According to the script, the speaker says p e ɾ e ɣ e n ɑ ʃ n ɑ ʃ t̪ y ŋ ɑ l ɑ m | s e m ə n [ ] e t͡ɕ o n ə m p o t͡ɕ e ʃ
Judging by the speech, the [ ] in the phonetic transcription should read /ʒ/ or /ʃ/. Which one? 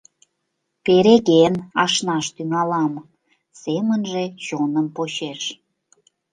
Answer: ʒ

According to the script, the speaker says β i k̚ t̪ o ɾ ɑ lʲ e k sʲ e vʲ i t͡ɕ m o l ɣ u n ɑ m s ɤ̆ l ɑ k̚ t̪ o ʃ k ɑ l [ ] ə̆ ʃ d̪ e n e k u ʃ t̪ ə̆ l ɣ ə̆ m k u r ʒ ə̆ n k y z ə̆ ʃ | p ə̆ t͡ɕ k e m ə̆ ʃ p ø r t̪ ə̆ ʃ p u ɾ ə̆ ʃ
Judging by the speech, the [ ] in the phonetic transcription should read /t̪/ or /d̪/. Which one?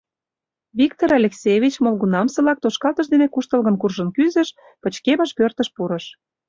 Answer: t̪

